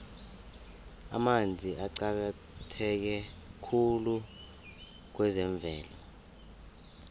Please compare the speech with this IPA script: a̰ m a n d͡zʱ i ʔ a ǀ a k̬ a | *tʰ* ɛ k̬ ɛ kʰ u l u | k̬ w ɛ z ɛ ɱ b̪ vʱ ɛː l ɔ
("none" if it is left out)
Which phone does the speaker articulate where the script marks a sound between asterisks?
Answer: tʰ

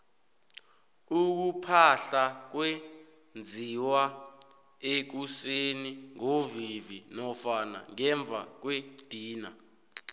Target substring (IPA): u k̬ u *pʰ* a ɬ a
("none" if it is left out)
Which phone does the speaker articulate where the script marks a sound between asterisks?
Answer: pʰ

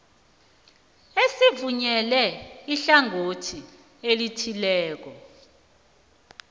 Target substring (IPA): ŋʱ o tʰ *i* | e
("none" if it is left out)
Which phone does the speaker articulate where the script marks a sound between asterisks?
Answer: i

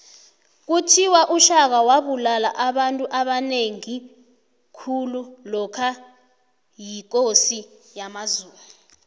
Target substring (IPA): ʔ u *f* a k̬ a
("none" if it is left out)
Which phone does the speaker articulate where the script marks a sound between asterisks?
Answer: ʃ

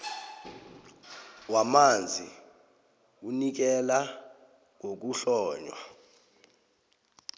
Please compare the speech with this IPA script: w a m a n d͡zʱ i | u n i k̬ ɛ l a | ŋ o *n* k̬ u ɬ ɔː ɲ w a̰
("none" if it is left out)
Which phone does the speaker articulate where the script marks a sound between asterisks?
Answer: none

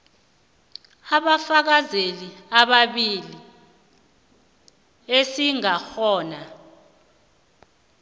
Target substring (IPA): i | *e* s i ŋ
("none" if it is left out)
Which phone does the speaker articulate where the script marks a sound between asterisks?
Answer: e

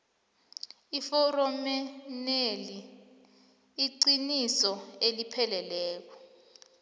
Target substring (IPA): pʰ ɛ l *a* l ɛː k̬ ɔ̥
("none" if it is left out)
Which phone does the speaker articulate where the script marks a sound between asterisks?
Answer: ɛ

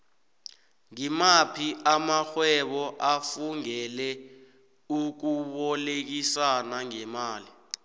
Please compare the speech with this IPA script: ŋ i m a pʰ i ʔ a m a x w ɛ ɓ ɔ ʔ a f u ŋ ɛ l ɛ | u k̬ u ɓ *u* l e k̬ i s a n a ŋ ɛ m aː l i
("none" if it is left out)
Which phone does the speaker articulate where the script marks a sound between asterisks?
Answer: ɔ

